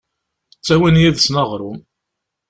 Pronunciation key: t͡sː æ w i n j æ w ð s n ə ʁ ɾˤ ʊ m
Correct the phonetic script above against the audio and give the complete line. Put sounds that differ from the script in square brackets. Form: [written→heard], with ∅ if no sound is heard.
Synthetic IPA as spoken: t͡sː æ w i n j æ [w→∅] ð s n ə ʁ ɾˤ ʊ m